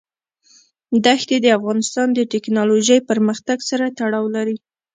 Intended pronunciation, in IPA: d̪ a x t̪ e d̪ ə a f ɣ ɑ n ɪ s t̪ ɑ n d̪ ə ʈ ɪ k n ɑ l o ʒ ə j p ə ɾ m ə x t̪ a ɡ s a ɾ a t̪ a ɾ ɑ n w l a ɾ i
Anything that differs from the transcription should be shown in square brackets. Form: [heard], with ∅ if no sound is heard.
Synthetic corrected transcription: d̪ a x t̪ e d̪ ə a f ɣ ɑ n ɪ s t̪ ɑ n d̪ ə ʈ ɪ k n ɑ l o ʒ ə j p ə ɾ m ə x t̪ a ɡ s a ɾ a t̪ a [ɽ] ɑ [∅] w l a ɾ i